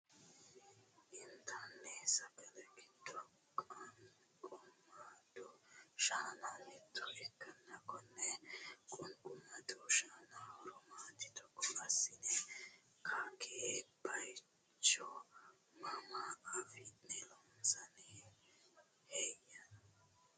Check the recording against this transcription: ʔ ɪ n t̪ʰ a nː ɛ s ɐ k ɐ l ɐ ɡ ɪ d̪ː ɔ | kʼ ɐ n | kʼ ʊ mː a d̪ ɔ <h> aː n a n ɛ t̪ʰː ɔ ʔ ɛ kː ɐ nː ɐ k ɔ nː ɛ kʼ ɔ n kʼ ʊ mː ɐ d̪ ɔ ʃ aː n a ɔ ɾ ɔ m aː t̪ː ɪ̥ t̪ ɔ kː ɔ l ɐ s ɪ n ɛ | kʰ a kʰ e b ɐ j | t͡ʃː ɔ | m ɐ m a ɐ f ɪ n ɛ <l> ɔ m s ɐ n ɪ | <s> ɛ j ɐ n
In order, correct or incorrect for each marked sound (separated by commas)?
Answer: incorrect, correct, incorrect